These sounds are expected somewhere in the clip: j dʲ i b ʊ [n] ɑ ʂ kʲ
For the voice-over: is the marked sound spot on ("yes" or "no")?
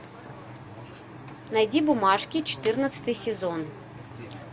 no